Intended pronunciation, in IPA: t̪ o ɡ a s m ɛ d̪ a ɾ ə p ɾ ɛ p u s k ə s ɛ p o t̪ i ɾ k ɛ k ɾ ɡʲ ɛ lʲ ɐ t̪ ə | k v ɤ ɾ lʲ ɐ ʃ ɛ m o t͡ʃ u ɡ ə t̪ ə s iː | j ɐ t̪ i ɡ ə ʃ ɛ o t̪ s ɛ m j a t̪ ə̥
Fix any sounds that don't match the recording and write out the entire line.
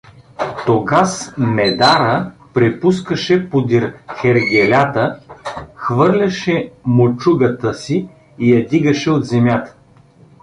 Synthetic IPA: t̪ o ɡ a s m ɛ d̪ a ɾ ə p ɾ ɛ p u s k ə ʃ ɛ p o d̪ i ɾ x ɛ ɾ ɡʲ ɛ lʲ a t̪ ə | x v ɤ ɾ lʲ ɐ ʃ ɛ m o t͡ʃ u ɡ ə t̪ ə s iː | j ɐ d̪ i ɡ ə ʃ ɛ o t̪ z ɛ m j a t̪ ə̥